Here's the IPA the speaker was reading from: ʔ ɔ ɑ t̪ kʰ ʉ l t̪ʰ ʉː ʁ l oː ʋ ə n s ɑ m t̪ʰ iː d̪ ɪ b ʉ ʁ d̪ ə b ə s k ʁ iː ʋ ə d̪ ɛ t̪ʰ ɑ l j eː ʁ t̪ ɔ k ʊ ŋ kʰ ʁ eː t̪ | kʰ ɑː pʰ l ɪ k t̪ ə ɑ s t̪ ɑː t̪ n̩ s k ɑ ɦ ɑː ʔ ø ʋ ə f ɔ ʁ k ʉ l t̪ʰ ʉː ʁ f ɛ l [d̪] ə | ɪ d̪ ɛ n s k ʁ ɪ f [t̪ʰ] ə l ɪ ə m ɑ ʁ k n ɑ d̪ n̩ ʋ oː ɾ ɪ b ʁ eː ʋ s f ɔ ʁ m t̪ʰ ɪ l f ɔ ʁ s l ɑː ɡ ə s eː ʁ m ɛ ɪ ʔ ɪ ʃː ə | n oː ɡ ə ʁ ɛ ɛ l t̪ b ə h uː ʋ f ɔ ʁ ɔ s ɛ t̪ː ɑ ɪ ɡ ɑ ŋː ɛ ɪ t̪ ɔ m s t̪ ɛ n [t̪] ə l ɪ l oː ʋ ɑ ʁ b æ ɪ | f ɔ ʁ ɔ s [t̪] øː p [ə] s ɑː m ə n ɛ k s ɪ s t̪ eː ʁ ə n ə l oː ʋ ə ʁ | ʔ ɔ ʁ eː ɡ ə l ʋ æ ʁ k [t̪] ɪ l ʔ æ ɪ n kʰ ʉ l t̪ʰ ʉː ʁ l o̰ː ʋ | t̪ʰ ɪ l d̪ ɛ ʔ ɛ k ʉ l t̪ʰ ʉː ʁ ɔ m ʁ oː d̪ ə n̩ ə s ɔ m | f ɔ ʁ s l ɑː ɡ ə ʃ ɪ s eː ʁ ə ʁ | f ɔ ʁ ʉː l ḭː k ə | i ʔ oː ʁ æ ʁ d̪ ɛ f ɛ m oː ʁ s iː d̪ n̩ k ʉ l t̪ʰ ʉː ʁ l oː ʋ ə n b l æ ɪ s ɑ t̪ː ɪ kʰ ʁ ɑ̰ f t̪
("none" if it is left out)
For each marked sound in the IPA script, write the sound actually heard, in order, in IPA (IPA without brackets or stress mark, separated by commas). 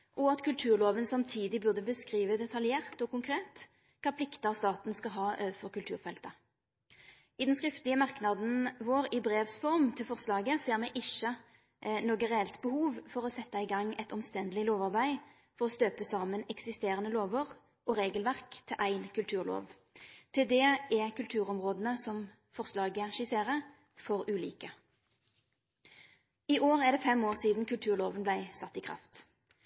t̪, t̪, d̪, t̪, ə, t̪ʰ